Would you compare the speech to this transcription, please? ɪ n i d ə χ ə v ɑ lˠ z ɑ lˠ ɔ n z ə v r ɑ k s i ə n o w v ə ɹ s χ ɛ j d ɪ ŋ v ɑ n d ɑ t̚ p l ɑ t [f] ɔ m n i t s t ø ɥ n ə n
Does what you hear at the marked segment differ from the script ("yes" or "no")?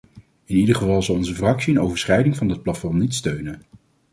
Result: no